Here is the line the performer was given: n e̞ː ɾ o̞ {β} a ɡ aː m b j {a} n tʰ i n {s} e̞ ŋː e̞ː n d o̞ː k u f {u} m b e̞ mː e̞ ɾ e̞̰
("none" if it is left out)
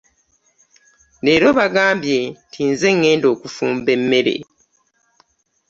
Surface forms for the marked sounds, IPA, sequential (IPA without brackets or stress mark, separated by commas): β, e, z, uː